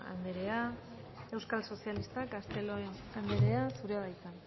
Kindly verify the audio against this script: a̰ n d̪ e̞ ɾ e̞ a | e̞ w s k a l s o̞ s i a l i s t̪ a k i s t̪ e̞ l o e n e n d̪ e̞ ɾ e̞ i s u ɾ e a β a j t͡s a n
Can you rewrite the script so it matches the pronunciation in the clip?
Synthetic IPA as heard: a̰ n d̪ e̞ ɾ e̞ a | e̞ w s k a l s o̞ s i a l i s t̪ a k a s t̪ e̞ l o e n a n d̪ e̞ ɾ e̞ a s u ɾ e a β a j t͡s a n